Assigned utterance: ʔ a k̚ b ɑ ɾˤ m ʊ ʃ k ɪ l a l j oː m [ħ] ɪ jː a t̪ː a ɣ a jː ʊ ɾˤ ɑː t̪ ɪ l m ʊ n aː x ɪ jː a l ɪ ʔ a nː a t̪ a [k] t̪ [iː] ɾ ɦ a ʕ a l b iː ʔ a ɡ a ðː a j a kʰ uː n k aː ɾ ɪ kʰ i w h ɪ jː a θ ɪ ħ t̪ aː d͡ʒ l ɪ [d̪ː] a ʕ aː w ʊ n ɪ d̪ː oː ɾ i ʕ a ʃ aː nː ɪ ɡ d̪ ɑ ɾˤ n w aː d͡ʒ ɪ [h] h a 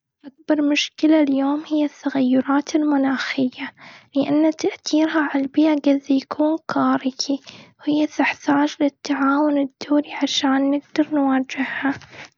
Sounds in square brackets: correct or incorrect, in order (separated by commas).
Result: incorrect, incorrect, correct, incorrect, correct